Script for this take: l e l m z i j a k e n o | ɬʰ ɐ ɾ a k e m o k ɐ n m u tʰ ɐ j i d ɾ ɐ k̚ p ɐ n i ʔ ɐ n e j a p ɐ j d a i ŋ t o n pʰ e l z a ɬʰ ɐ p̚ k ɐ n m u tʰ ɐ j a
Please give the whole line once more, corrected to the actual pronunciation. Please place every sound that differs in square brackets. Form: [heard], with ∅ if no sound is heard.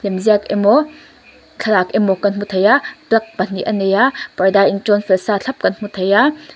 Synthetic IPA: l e [∅] m z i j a k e [m] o | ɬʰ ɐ ɾ a k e m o k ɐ n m u tʰ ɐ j [a] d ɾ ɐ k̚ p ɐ n i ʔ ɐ n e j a p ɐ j d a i ŋ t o n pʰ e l [s] a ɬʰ ɐ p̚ k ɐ n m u tʰ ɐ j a